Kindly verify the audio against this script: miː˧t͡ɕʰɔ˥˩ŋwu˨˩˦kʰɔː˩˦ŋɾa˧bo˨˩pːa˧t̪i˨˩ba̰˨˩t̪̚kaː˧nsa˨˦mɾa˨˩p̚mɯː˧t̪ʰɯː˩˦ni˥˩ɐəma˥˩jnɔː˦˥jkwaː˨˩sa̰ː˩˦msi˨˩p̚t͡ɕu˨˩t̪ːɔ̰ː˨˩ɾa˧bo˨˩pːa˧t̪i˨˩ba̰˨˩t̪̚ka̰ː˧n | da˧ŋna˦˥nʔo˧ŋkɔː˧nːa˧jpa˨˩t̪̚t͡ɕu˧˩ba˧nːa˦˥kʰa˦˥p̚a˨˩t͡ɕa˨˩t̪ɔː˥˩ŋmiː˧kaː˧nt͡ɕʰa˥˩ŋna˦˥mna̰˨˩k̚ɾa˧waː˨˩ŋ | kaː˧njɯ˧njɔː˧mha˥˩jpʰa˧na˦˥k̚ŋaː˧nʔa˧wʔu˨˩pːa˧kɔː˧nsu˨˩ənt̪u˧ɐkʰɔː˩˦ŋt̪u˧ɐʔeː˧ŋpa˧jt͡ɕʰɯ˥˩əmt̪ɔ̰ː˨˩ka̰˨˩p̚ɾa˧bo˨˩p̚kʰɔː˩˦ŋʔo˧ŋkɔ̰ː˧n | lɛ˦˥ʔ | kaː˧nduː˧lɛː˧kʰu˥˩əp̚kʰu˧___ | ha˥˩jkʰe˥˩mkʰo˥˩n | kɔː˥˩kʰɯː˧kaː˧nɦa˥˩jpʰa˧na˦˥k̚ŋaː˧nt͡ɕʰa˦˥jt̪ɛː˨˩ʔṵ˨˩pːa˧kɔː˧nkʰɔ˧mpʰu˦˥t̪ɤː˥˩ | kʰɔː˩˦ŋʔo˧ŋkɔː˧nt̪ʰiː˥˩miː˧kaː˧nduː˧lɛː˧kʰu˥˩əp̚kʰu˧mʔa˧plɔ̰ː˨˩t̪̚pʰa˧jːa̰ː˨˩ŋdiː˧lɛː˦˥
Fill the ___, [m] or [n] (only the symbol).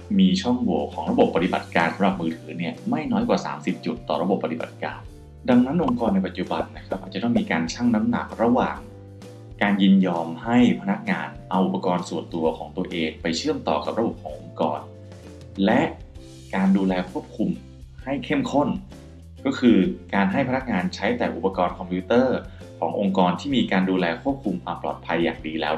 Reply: m